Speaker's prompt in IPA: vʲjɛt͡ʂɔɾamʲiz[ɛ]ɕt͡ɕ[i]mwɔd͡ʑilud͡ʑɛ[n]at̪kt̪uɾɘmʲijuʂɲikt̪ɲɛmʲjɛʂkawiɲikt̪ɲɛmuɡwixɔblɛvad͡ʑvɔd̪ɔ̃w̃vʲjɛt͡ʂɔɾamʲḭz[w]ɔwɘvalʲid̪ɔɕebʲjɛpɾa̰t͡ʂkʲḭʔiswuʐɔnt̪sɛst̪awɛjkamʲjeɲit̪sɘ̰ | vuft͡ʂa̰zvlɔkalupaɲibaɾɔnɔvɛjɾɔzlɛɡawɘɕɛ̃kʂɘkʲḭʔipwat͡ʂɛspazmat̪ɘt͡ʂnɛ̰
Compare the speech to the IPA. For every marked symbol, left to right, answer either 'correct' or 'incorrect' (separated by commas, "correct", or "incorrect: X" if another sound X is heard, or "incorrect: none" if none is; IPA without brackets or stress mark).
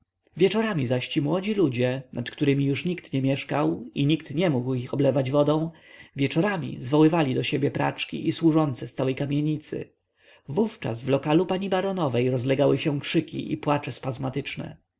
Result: incorrect: a, correct, correct, incorrect: v